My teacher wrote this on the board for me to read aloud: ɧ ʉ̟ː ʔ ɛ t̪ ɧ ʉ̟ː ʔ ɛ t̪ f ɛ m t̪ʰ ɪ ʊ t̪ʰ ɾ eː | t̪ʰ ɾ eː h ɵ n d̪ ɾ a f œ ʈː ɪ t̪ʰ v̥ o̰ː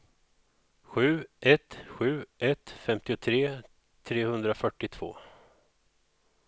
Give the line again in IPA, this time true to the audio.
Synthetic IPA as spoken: ɧ ʉ̟ː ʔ ɛ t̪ ɧ ʉ̟ː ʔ ɛ t̪ f ɛ m t̪ ɪ ʊ t̪ʰ ɾ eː | t̪ʰ ɾ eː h ɵ n d̪ ɾ a f œ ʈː ɪ t̪ʰ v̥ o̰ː